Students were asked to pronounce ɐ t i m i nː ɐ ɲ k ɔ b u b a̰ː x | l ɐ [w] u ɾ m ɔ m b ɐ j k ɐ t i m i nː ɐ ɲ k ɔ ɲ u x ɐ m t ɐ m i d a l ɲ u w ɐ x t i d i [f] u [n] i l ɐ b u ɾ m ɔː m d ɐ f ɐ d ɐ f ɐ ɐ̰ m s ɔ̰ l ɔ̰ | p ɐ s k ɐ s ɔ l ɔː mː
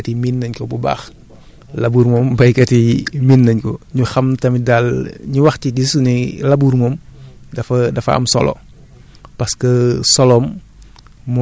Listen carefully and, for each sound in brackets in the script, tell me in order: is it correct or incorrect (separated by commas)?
incorrect, incorrect, correct